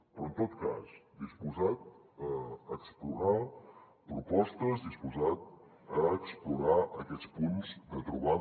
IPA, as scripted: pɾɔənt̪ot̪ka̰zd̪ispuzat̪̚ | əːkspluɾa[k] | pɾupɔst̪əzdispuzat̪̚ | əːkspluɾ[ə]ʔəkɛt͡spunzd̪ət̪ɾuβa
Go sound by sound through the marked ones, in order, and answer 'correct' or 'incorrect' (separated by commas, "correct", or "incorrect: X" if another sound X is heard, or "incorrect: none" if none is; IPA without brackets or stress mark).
incorrect: none, incorrect: a